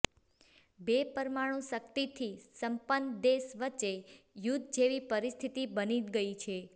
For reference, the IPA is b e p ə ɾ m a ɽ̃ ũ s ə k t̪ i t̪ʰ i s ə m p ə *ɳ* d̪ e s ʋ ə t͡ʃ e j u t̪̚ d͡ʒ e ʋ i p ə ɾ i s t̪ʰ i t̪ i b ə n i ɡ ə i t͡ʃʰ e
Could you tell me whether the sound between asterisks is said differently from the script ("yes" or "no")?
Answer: yes